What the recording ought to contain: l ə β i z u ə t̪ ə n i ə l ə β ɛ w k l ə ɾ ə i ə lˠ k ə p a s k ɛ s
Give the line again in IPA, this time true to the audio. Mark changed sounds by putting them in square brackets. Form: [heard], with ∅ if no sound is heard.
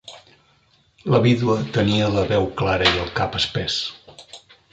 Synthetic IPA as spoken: l ə β i [ð] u ə t̪ ə n i ə l ə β ɛ w k l [a] ɾ ə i ə lˠ k [a] p [ə] s [p] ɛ s